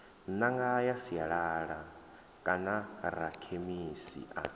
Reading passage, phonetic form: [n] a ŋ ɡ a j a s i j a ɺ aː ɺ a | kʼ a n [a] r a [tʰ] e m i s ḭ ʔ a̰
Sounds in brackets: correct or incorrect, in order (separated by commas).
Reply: correct, correct, incorrect